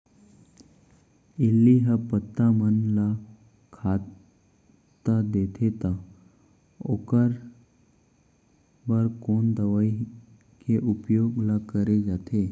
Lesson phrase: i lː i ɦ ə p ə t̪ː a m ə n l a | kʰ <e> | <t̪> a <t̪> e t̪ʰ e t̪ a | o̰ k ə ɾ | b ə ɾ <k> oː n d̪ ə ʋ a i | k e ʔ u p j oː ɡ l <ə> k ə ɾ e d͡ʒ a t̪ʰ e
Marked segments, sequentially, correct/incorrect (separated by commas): incorrect, correct, incorrect, correct, incorrect